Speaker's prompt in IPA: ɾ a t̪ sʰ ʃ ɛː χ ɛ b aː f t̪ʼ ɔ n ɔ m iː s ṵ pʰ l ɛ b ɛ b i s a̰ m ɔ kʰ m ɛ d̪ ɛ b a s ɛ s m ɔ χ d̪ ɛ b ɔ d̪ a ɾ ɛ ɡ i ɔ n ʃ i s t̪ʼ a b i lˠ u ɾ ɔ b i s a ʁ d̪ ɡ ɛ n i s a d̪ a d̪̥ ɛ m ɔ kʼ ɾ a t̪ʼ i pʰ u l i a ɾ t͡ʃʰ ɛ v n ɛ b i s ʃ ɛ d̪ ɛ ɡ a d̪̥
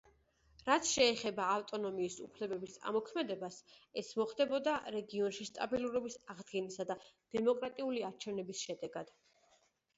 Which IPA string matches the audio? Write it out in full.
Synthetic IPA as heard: ɾ a t̪ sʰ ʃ ɛː χ ɛ b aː f t̪ʼ ɔ n ɔ m iː s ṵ pʰ l ɛ b ɛ b i s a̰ m ɔ kʰ m ɛ d̪ ɛ b a s ɛ s m ɔ χ d̪ ɛ b ɔ d̪ a ɾ ɛ ɡ i ɔ n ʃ i s t̪ʼ a b i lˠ u ɾ ɔ b i s a ʁ d̪ ɡ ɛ n i s a d̪ a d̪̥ ɛ m ɔ kʼ ɾ a t̪ʼ i u l i a ɾ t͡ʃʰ ɛ v n ɛ b i s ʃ ɛ d̪ ɛ ɡ a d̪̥